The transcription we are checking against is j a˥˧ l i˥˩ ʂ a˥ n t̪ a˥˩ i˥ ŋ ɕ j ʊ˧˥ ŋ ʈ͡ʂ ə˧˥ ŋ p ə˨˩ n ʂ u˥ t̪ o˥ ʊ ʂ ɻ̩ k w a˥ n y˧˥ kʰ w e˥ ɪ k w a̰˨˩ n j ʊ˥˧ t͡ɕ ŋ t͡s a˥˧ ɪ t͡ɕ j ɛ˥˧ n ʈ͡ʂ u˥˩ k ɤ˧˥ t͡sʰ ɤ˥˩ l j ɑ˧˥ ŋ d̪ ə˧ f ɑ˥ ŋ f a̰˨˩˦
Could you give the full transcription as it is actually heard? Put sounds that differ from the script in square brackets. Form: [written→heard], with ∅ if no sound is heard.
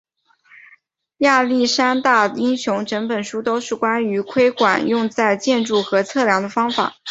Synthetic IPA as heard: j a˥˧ l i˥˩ ʂ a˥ n t̪ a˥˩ i˥ ŋ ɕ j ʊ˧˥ ŋ ʈ͡ʂ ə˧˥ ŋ p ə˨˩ n ʂ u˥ t̪ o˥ ʊ ʂ ɻ̩ k w a˥ n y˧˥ kʰ w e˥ ɪ k w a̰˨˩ n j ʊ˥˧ [t͡ɕ→∅] ŋ t͡s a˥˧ ɪ t͡ɕ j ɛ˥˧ n ʈ͡ʂ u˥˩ [k→x] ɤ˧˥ t͡sʰ ɤ˥˩ l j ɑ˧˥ ŋ d̪ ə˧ f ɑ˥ ŋ f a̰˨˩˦